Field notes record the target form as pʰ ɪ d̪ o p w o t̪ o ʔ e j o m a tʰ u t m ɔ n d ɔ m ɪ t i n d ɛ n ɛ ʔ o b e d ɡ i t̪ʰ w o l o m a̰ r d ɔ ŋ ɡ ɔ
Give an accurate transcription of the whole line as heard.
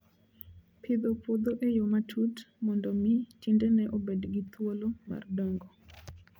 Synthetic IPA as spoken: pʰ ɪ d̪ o p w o d̪ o ʔ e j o m a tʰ u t m ɔ n d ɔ m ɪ t i n d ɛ n ɛ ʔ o b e d ɡ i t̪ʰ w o l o m a̰ r d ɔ ŋ ɡ ɔ

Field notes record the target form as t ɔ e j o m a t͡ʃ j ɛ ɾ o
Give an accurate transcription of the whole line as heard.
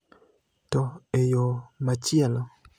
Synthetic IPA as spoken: t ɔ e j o m a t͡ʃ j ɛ l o

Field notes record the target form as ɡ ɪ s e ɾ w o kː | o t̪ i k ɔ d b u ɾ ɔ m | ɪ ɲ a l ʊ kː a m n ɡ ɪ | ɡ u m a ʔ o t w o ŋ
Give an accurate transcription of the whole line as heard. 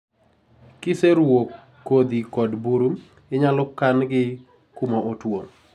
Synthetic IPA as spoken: k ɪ s e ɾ w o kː | o d̪ i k ɔ d b u ɾ u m | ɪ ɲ a l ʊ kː a n ɡ ɪ | k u m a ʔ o t w o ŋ

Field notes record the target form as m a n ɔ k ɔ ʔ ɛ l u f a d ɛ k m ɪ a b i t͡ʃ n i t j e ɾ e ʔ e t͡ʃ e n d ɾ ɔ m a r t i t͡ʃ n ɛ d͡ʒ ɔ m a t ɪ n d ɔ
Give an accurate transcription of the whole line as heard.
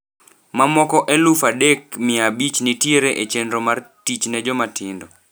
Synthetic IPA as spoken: m a m ɔ k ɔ ʔ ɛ l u f a d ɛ k m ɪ a b i t͡ʃ n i t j e ɾ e ʔ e t͡ʃ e n d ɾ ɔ m a r t i t͡ʃ n ɛ d͡ʒ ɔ m a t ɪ n d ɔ

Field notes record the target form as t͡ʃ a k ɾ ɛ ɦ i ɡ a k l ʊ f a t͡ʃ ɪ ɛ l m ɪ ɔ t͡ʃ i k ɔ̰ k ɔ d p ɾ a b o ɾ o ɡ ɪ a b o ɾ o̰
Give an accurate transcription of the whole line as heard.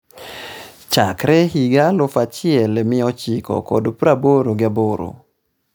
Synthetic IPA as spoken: t͡ʃ a k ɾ ɛ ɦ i ɡ a l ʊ f a t͡ʃ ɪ ɛ l m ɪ ɔ t͡ʃ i k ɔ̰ k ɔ d p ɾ a b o ɾ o ɡ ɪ a b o ɾ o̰

